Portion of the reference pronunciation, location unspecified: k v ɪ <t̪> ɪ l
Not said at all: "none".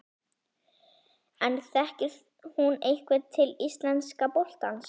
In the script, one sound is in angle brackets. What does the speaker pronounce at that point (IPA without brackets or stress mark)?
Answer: t̪ʰ